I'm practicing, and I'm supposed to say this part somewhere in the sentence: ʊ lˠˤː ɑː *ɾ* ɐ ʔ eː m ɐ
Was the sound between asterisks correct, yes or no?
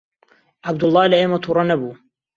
no